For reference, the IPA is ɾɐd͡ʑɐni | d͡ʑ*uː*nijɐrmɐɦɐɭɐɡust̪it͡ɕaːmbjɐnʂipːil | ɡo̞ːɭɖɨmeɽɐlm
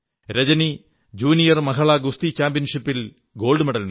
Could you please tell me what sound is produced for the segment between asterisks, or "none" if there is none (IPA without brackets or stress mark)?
uː